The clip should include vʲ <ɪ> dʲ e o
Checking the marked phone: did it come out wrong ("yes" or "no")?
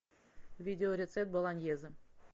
yes